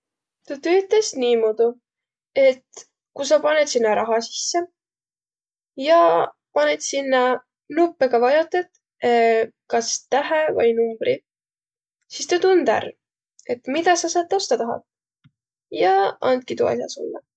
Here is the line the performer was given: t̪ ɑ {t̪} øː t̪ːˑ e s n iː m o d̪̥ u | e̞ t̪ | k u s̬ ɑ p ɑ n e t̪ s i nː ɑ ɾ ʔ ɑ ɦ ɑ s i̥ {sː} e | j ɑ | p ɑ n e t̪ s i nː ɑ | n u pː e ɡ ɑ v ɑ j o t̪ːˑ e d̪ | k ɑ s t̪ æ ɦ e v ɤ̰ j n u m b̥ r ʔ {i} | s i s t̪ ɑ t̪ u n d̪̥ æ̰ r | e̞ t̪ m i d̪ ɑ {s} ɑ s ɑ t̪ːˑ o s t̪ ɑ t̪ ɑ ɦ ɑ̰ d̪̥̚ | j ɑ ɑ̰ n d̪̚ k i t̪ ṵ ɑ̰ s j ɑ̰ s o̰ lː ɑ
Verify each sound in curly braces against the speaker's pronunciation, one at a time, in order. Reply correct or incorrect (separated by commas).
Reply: correct, correct, correct, correct